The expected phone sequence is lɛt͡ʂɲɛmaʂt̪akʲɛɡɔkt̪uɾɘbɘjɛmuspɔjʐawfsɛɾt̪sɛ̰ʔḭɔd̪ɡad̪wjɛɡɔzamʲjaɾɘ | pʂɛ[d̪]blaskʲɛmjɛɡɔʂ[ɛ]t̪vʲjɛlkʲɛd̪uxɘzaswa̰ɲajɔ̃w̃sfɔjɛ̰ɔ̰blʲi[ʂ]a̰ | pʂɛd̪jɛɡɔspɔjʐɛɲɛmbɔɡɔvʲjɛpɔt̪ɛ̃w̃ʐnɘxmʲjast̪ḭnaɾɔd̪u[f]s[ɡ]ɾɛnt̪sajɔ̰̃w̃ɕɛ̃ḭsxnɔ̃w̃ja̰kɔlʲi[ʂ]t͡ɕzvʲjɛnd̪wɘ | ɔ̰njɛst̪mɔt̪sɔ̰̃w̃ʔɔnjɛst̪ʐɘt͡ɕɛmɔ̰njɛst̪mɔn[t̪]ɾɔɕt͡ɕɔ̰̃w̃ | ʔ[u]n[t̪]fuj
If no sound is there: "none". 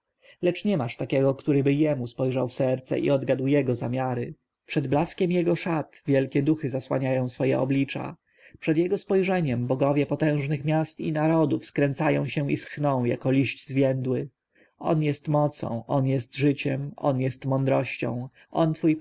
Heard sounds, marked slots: d̪, a, t͡ʂ, f, k, ɕ, d̪, ɔ, t̪

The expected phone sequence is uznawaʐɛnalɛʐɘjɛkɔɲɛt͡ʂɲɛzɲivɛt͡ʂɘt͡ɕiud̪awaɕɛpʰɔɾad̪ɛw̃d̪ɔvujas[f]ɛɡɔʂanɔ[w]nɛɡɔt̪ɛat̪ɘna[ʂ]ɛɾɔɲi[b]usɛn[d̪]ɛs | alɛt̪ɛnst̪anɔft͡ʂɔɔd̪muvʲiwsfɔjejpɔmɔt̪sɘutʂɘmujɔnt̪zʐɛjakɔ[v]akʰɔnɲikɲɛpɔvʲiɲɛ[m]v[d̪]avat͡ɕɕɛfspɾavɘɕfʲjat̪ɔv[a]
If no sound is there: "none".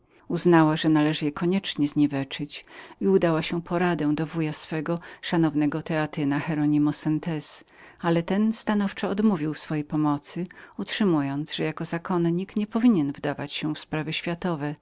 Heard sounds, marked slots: f, v, x, m, t̪, z, n, d̪, ɛ

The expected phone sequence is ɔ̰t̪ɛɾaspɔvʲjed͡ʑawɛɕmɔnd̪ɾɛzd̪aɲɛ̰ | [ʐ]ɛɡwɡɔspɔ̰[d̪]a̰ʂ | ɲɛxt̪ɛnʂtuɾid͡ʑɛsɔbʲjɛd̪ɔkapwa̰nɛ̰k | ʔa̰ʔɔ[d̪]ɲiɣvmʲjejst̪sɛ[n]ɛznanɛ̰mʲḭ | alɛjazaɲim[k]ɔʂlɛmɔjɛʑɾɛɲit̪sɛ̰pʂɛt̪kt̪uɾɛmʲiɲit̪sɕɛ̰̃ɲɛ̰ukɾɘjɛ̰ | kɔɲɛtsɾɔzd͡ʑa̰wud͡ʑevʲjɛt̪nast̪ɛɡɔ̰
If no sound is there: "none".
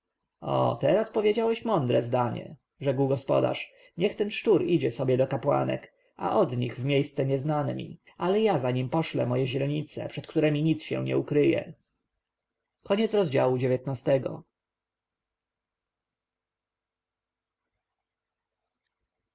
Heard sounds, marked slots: ʐ, d̪, d̪, ɲ, p

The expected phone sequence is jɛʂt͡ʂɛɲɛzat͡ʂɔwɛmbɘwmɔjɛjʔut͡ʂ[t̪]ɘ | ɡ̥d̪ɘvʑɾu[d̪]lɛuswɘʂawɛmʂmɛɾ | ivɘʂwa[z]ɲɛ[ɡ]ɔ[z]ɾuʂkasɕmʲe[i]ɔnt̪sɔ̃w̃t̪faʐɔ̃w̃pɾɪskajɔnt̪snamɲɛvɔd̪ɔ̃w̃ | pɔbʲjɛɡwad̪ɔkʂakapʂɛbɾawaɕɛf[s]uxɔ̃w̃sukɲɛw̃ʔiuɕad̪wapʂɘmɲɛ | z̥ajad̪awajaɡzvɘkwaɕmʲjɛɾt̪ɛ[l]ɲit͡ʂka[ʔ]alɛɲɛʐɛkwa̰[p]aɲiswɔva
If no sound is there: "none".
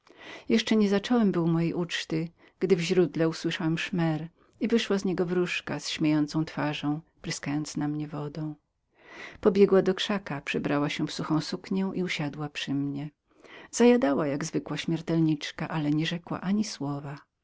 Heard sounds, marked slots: t̪, d̪, z, ɡ, v, j, s, l, ʔ, ʔ

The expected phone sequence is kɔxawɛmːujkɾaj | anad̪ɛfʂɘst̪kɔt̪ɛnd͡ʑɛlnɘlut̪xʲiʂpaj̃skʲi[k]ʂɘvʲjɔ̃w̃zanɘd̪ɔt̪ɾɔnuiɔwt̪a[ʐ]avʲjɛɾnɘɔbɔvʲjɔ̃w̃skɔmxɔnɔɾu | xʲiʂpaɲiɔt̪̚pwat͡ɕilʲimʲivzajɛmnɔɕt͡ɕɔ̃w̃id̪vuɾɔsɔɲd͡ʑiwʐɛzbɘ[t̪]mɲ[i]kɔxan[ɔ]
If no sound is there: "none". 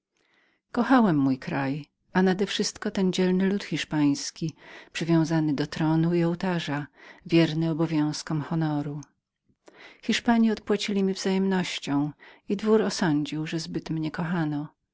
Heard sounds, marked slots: p, ʐ, t̪, ɛ, ɔ

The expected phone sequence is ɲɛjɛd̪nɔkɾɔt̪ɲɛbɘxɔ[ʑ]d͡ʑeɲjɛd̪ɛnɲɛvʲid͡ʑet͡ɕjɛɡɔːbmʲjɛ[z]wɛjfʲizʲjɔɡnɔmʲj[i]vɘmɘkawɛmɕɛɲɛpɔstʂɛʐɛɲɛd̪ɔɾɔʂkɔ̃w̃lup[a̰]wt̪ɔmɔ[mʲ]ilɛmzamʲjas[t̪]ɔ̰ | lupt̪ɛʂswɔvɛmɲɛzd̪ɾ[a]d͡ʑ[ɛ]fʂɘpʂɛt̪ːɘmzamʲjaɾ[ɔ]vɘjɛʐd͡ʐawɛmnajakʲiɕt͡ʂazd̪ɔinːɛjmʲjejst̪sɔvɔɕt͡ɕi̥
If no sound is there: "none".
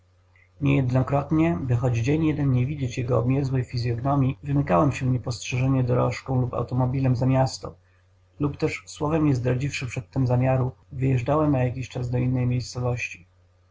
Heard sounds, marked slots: d͡ʑ, z, i, a̰, bʲ, t̪, a, i, u

